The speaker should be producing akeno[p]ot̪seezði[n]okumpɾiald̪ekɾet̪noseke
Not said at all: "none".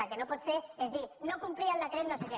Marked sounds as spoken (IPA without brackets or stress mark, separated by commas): p, n